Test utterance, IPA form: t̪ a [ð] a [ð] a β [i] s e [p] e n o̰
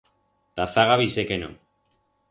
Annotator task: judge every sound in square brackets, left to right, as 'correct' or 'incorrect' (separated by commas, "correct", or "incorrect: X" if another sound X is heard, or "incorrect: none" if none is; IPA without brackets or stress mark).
incorrect: θ, incorrect: ɣ, correct, incorrect: k